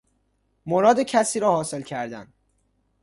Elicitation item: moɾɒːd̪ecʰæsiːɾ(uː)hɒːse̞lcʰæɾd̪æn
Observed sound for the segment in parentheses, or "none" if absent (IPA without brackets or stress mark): ɒː